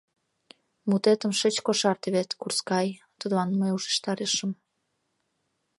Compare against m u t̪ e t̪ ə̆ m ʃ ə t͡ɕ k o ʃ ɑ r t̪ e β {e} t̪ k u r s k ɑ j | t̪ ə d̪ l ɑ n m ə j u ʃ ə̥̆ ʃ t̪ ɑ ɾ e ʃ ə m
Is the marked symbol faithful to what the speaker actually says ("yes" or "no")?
yes